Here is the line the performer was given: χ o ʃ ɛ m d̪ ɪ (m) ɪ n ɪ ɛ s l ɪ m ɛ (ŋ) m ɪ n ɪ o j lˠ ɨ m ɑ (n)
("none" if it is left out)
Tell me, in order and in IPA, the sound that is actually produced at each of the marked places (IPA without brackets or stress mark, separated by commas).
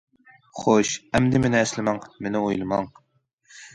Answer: m, ŋ, ŋ